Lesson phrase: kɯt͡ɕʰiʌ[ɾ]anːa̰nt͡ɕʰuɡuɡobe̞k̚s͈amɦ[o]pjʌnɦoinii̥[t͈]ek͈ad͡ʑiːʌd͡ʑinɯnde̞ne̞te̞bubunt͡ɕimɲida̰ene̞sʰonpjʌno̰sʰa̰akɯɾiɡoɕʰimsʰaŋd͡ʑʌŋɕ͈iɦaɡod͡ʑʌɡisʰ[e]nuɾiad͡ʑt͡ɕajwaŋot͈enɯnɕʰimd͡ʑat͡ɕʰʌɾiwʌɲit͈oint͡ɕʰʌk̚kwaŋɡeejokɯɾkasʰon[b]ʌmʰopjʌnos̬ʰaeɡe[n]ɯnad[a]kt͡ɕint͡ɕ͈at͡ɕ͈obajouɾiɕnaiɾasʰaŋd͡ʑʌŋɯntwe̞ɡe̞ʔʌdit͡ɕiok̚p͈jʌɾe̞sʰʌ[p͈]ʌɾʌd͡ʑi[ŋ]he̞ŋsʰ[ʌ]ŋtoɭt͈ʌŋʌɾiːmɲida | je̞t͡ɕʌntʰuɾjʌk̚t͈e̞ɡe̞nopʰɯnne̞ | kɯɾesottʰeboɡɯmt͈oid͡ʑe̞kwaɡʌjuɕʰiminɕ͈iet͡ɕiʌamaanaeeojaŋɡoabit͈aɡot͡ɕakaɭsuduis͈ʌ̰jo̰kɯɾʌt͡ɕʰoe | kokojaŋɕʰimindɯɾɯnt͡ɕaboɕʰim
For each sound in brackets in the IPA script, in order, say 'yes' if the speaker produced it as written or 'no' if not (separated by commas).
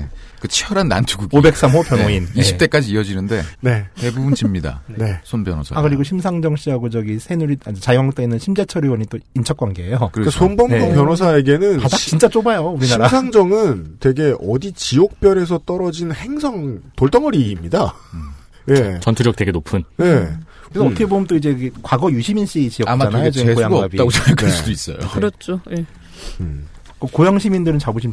yes, yes, yes, yes, yes, yes, yes, no, no, yes